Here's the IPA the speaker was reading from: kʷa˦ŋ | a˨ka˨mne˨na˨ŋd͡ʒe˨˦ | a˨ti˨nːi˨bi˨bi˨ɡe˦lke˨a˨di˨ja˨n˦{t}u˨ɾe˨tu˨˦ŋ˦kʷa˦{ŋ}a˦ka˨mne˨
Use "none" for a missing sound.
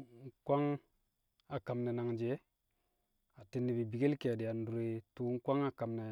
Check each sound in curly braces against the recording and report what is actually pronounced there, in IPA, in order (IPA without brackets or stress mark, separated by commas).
d, ŋ